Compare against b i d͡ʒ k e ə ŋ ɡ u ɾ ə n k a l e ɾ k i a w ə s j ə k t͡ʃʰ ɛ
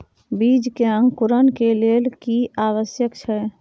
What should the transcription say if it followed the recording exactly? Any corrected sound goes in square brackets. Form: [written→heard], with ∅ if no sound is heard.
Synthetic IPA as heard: b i d͡ʒ k e ə ŋ [ɡ→k] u ɾ ə n k [a→e] l e [ɾ→l] k i a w ə s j ə k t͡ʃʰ ɛ